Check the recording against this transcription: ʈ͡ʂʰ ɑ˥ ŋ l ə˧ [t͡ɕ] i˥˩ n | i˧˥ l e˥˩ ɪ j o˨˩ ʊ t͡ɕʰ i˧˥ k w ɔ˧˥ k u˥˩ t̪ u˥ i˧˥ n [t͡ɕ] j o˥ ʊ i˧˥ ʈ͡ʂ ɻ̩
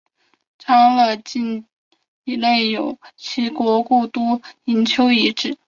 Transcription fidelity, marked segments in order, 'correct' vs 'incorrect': correct, incorrect

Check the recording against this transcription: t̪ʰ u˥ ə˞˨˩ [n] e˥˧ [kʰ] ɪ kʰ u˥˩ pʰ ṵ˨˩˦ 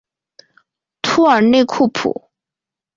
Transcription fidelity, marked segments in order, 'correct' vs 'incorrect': correct, incorrect

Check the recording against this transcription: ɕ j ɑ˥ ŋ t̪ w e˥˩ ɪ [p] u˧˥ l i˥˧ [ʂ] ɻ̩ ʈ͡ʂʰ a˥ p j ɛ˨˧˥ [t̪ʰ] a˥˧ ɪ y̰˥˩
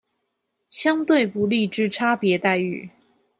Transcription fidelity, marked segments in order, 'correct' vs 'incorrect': correct, incorrect, incorrect

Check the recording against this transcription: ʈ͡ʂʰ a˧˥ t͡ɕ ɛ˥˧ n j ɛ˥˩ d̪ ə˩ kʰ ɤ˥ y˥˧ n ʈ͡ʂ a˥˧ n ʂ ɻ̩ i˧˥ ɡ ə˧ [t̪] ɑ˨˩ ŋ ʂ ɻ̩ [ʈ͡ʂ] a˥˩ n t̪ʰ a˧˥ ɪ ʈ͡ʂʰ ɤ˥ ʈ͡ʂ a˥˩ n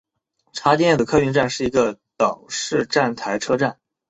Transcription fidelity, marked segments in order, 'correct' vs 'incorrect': correct, correct

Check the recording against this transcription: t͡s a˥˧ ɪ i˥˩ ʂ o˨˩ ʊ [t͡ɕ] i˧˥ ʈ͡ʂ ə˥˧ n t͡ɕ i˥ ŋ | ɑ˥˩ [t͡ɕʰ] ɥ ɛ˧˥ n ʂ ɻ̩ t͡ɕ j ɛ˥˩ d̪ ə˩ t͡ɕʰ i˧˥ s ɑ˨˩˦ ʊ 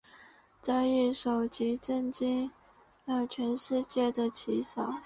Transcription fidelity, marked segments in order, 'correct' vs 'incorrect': correct, correct

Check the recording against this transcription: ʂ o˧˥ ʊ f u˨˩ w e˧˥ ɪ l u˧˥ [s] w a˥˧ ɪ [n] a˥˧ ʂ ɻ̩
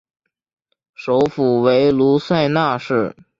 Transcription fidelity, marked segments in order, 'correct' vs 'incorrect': correct, correct

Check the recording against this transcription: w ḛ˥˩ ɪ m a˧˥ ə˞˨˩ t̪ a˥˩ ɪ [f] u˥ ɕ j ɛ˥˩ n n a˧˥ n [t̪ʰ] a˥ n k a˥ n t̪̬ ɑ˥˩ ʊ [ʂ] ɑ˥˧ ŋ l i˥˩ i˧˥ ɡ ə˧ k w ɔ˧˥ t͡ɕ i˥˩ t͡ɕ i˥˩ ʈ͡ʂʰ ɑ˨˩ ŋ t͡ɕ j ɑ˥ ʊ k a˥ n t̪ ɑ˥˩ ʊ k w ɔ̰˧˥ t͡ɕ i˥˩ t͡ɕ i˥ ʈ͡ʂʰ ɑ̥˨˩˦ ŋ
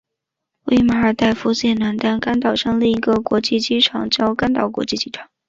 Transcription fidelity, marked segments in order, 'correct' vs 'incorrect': correct, incorrect, correct

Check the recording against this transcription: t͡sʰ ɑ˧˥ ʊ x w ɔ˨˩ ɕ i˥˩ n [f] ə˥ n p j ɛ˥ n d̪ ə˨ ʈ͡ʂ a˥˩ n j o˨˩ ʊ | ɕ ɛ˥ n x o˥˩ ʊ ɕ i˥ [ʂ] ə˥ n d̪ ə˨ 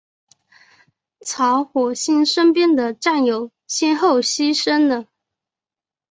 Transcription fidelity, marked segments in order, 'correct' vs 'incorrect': incorrect, correct

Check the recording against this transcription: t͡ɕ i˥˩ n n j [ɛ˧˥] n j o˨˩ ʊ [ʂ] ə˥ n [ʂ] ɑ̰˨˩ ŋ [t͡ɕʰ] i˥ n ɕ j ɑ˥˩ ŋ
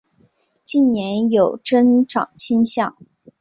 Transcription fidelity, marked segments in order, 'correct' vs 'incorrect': correct, incorrect, incorrect, correct

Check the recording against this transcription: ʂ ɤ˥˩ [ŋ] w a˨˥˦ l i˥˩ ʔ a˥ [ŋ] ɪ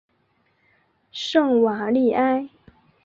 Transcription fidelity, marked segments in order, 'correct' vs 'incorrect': correct, incorrect

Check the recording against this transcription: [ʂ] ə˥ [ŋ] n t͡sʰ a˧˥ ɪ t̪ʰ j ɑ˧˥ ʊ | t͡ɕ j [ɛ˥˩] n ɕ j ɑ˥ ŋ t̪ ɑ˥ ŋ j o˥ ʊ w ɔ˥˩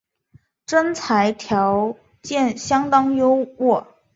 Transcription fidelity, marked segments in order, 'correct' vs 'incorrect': incorrect, incorrect, correct

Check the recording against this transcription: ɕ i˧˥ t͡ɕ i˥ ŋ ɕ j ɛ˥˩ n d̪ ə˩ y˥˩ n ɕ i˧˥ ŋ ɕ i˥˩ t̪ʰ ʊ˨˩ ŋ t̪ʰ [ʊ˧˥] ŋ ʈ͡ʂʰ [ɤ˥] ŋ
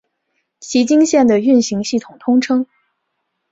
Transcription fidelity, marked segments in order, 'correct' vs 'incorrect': incorrect, correct

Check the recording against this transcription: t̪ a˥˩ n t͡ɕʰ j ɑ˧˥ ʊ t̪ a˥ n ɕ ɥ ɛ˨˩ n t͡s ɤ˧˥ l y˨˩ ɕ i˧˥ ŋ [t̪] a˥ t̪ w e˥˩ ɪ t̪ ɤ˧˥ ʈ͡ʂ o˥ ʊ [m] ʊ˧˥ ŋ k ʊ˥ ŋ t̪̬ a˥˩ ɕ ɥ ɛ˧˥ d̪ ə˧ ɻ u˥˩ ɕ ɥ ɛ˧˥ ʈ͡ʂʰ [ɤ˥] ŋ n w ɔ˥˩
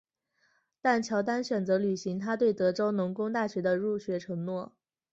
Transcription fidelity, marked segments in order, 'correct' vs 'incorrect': incorrect, incorrect, incorrect

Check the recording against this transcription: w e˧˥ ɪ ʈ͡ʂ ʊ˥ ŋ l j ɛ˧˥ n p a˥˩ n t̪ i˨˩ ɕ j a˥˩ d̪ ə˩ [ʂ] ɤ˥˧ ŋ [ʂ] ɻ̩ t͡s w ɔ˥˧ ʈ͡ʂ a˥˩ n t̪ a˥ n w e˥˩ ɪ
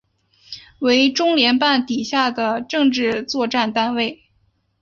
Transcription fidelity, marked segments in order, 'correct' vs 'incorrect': incorrect, incorrect

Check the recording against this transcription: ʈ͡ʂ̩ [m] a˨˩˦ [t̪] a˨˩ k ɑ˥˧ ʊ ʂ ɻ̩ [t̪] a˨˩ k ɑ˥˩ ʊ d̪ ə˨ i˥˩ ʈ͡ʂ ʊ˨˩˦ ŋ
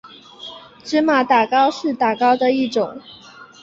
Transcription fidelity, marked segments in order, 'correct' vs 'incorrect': correct, correct, correct

